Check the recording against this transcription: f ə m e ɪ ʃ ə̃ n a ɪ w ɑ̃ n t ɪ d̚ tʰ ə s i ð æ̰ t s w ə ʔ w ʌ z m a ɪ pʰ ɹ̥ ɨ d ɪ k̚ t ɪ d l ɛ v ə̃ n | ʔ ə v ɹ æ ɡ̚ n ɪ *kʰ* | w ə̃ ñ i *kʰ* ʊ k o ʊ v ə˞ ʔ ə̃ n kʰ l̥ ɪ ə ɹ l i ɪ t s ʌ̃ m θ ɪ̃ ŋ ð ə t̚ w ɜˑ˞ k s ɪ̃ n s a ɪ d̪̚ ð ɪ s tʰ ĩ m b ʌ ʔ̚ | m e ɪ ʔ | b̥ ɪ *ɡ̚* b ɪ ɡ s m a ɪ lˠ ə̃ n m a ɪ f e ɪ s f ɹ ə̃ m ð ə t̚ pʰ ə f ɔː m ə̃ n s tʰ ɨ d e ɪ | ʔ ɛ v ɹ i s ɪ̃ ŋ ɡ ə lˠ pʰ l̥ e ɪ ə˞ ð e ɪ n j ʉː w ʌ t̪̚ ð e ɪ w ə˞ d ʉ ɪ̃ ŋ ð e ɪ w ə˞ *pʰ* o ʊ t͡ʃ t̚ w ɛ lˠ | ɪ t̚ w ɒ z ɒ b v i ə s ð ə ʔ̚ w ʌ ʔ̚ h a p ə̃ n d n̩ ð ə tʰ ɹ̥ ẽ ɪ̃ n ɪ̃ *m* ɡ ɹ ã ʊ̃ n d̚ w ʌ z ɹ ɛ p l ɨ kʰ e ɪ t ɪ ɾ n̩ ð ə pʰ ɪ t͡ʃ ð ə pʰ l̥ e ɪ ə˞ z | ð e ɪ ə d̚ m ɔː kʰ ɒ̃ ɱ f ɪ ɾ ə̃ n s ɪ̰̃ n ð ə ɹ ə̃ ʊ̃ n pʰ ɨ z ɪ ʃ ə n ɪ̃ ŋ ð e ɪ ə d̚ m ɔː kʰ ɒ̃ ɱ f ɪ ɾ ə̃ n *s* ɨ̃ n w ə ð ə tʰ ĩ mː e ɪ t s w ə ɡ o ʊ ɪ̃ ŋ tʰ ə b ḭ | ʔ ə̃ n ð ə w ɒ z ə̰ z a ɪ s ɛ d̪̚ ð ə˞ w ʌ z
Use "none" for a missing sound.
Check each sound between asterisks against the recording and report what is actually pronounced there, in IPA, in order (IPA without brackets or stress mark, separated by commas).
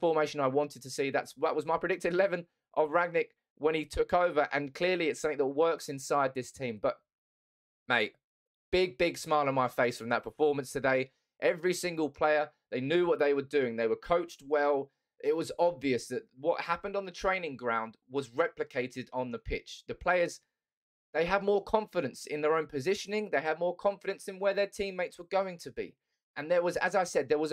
k, tʰ, ɡ̚, kʰ, ŋ, s